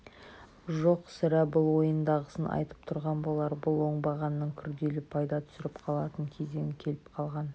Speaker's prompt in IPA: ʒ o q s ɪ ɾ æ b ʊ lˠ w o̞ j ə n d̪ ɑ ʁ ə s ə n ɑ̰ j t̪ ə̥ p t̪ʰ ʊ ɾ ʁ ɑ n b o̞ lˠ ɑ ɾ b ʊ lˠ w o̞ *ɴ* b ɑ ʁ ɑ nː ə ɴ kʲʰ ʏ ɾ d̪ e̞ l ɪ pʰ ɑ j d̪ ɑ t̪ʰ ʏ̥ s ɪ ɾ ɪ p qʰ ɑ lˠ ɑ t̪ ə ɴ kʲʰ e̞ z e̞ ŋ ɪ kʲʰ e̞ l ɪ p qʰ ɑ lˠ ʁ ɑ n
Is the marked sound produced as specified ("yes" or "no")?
yes